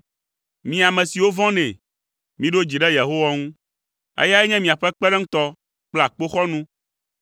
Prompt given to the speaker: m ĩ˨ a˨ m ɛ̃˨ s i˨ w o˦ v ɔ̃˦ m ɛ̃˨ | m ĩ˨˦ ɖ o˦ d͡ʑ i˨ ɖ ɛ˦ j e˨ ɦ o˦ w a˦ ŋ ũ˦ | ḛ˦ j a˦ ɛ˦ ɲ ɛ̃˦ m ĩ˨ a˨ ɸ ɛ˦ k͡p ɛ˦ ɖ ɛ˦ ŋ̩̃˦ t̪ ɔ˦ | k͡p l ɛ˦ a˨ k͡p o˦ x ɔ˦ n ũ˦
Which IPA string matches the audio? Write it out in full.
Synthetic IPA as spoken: m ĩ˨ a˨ m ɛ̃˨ s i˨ w o˦ v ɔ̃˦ n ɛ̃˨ | m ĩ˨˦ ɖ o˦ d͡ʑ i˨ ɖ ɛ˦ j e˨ ɦ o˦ w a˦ ŋ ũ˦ | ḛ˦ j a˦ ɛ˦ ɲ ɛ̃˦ m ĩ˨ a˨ ɸ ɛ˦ k͡p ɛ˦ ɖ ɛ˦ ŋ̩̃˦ t̪ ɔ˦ | k͡p l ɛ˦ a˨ k͡p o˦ x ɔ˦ n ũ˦